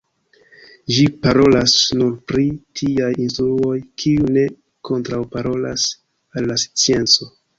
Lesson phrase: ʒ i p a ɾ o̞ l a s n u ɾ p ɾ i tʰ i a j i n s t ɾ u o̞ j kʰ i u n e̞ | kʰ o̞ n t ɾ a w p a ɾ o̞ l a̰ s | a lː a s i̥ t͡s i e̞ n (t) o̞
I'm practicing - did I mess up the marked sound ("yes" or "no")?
yes